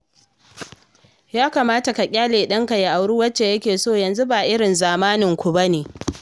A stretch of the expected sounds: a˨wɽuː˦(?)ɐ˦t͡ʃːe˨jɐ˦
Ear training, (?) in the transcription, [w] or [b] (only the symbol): w